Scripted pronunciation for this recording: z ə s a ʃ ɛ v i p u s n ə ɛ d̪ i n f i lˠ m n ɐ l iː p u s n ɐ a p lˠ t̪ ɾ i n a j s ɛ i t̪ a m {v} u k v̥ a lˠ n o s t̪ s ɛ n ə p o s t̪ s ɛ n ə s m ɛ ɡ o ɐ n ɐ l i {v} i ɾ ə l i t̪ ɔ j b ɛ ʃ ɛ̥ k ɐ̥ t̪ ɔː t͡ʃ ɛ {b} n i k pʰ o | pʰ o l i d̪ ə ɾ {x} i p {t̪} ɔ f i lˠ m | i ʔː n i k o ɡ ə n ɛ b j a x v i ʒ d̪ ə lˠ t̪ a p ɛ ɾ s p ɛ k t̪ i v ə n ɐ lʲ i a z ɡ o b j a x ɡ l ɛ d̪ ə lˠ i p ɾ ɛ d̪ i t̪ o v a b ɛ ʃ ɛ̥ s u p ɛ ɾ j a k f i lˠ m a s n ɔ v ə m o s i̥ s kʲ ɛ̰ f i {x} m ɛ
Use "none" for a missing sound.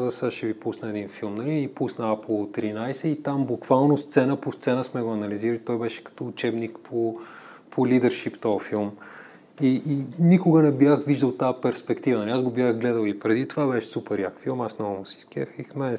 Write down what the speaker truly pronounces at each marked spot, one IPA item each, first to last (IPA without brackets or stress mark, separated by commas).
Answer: b, z, b, ʃ, t̪, x